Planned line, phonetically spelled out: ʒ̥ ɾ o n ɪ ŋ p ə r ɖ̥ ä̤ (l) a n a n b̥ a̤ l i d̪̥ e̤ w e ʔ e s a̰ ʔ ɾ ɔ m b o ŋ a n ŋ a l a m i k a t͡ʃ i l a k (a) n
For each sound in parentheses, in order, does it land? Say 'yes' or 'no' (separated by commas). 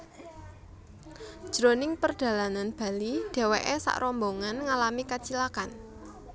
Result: yes, yes